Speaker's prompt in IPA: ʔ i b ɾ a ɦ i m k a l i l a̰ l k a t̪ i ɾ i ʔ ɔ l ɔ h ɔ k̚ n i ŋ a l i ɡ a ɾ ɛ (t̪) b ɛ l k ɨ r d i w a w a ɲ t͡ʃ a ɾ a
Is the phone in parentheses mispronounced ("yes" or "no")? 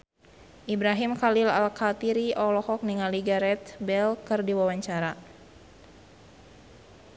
no